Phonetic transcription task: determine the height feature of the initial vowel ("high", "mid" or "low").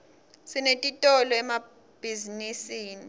high